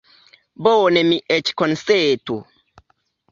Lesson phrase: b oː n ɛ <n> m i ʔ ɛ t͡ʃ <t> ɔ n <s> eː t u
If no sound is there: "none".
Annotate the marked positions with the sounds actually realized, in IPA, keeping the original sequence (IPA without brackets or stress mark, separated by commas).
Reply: none, k, s